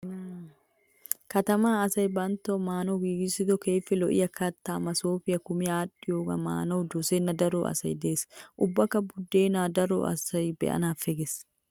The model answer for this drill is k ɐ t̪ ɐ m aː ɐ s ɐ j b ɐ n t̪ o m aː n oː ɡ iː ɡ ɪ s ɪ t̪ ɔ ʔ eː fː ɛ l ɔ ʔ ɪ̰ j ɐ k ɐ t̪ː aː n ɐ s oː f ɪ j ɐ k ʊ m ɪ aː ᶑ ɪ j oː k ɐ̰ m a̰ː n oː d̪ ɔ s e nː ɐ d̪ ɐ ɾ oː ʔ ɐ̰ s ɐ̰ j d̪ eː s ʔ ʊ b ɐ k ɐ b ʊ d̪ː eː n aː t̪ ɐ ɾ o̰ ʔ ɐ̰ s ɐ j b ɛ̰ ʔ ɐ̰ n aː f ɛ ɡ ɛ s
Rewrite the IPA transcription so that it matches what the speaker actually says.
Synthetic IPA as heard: k ɐ t̪ ɐ m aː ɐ s ɐ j b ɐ n t̪ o m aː n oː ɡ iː ɡ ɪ s ɪ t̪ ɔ k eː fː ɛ l ɔ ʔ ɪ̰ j ɐ k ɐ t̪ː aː m ɐ s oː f ɪ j ɐ k ʊ m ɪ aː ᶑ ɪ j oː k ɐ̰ m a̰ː n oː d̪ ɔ s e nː ɐ d̪ ɐ ɾ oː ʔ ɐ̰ s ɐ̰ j d̪ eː s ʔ ʊ bː ɐ k ɐ b ʊ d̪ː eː n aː d̪ ɐ ɾ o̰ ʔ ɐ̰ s ɐ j b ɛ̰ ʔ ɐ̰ n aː f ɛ ɡ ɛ s